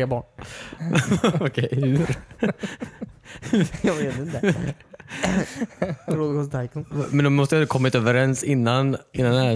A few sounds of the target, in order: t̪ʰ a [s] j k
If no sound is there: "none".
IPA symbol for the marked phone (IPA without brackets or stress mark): none